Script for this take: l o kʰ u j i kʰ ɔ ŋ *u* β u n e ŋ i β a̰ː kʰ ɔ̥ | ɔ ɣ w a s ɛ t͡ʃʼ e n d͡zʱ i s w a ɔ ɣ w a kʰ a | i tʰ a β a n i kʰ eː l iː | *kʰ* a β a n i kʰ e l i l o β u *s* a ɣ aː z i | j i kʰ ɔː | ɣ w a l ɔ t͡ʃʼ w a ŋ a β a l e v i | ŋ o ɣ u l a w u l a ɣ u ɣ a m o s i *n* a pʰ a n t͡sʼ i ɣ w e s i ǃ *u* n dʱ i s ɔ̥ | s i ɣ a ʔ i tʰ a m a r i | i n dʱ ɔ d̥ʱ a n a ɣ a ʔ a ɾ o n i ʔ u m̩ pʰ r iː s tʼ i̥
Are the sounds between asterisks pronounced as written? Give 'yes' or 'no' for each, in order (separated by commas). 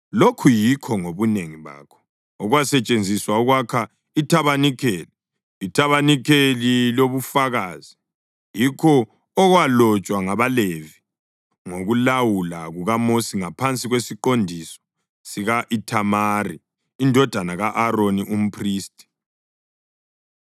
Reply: no, no, no, no, no